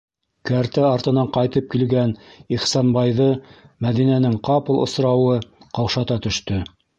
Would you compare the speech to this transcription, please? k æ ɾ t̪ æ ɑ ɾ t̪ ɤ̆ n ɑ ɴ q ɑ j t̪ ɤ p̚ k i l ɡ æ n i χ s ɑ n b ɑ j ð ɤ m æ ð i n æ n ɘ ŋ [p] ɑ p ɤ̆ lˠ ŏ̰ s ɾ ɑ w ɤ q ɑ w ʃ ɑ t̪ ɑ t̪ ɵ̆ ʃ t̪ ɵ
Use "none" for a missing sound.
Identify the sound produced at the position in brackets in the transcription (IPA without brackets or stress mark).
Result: q